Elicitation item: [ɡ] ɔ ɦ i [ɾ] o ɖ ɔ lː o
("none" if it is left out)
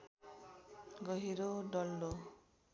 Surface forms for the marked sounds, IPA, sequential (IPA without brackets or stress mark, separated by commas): ɡ, ɾ